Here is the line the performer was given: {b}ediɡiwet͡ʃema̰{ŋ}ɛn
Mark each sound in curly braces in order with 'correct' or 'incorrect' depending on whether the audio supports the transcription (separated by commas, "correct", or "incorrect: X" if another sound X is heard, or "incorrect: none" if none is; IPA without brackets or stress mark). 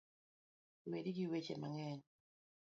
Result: incorrect: w, correct